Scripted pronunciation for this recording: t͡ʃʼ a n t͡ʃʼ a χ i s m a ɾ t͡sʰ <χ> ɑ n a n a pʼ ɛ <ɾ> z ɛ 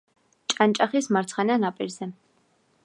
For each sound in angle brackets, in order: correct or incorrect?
correct, correct

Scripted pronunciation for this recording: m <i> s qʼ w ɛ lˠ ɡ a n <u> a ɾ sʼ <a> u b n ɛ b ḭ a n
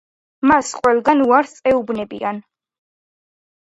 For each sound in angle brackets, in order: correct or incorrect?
incorrect, correct, incorrect

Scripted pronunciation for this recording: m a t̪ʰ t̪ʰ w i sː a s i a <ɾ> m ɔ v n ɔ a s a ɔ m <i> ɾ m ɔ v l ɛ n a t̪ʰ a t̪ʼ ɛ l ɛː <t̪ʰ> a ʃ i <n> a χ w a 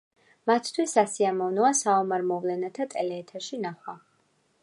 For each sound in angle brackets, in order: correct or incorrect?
incorrect, incorrect, correct, correct

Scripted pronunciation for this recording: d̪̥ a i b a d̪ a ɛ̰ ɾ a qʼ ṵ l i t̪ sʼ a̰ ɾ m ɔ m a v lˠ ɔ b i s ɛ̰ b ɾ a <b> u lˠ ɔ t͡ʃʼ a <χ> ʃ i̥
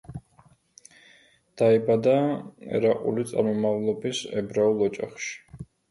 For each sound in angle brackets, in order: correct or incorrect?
incorrect, correct

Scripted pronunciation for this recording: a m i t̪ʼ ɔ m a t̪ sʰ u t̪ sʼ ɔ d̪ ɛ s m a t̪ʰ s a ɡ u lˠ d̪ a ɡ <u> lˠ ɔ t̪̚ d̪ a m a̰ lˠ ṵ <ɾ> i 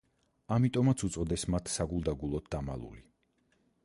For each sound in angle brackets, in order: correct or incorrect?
correct, incorrect

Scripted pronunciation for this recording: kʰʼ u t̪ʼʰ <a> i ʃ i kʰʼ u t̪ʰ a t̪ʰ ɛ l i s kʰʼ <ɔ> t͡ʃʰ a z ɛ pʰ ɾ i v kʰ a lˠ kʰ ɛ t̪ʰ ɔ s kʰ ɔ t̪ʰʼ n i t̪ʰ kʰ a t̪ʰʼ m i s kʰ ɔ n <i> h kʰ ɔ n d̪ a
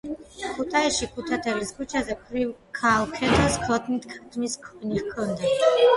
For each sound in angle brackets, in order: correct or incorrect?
correct, incorrect, correct

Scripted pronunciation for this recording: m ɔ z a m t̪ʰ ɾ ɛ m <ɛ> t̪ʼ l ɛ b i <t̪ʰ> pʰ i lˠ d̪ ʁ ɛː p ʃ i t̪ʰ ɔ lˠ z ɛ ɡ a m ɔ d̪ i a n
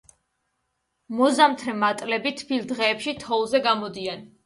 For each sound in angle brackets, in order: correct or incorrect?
incorrect, correct

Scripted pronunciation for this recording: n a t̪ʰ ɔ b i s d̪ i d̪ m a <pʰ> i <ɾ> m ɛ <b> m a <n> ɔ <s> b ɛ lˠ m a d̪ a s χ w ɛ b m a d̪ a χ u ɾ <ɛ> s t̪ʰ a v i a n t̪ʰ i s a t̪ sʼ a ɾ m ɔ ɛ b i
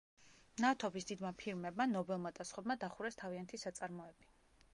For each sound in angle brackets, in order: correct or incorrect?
correct, correct, correct, correct, incorrect, correct

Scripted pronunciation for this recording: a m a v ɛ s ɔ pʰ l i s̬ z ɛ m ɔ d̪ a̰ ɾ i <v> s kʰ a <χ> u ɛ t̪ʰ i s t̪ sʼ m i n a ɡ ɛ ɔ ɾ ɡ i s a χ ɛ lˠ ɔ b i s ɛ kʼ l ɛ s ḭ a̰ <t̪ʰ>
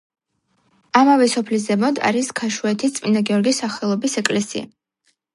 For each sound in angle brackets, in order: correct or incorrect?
incorrect, incorrect, incorrect

